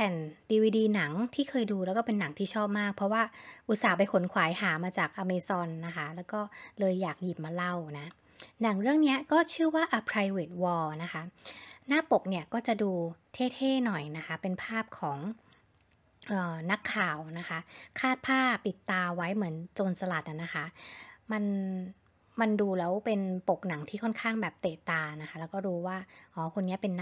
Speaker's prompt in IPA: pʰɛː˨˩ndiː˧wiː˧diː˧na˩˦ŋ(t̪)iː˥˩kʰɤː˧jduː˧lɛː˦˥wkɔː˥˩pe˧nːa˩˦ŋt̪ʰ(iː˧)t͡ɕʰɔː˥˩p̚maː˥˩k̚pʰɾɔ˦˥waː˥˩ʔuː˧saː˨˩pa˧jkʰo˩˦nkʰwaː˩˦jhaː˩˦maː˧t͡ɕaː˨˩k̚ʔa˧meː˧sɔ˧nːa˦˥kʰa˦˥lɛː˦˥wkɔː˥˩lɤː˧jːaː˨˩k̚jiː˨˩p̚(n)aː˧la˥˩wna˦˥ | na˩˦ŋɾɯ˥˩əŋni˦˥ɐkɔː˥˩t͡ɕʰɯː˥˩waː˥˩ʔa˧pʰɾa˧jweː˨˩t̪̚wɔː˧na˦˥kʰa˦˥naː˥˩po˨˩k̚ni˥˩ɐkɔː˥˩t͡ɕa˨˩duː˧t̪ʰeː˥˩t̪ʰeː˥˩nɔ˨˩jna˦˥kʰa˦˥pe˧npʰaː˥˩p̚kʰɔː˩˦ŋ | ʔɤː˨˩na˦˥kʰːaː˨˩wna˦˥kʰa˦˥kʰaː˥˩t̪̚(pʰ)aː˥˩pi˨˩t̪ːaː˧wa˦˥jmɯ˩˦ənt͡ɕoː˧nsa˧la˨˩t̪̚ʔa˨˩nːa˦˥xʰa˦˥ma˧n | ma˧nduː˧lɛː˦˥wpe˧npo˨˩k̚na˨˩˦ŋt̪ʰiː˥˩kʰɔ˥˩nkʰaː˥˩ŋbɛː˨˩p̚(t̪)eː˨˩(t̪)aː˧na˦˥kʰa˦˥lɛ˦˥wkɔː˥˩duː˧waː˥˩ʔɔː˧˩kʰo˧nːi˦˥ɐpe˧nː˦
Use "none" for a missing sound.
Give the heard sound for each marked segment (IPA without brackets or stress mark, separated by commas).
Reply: t̪ʰ, iː˥˩, m, pʰ, t̪, t̪